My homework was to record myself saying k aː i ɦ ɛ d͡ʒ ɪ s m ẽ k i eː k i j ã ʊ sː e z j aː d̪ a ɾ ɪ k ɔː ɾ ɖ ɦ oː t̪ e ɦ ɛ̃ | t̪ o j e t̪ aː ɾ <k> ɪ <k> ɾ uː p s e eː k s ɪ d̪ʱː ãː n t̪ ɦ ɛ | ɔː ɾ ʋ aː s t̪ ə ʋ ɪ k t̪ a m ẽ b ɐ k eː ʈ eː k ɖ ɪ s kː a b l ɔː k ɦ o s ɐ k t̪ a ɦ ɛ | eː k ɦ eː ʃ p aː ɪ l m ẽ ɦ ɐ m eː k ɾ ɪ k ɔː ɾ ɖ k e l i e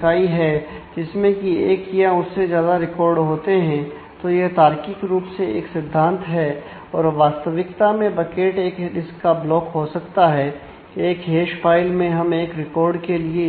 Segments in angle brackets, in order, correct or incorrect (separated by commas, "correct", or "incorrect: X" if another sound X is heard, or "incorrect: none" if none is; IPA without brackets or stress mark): correct, correct